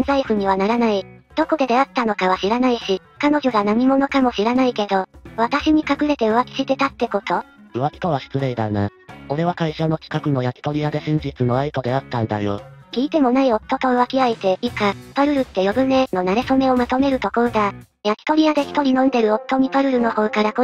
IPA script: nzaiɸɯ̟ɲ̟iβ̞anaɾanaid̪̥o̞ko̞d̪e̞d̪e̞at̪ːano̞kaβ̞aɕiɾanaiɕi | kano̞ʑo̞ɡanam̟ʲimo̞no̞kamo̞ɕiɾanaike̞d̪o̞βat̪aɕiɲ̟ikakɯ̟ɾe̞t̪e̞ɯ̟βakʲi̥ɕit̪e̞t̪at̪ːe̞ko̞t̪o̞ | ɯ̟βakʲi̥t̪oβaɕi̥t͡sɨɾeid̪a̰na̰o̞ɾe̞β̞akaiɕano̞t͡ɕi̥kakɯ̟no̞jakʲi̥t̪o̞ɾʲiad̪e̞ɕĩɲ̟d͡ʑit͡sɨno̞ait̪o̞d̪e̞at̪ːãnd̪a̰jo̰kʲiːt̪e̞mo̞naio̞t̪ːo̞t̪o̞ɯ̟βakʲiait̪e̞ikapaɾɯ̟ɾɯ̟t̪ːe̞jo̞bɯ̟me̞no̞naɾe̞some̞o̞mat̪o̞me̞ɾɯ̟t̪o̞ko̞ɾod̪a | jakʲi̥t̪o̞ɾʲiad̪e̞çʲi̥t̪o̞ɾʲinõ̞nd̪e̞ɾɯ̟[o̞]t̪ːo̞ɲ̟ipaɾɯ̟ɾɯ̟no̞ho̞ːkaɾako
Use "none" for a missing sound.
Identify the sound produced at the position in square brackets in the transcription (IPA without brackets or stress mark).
o̞